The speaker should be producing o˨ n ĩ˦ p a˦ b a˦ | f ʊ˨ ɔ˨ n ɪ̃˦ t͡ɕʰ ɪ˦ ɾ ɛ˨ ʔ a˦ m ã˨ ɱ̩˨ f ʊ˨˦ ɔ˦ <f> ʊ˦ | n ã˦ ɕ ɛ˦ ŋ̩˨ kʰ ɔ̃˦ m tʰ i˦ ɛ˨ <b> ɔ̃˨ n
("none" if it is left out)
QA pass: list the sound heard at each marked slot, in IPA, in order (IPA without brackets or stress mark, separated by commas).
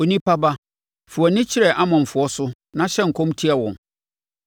s, w